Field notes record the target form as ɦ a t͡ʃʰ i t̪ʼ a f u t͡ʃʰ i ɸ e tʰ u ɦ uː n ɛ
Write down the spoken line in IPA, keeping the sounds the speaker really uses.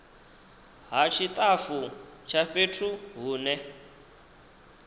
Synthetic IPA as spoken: ɦ a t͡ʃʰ i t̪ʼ a f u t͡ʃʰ a ɸ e tʰ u ɦ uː n ɛ